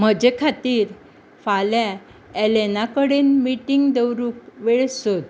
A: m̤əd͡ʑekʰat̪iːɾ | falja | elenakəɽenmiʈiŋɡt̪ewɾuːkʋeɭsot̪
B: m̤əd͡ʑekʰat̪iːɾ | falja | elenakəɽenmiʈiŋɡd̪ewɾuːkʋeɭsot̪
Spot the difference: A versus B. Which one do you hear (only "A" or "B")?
B